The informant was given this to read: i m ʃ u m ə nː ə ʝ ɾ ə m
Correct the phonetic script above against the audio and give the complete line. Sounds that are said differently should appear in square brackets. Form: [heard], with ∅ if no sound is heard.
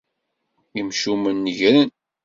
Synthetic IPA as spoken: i m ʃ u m ə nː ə ʝ ɾ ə [n]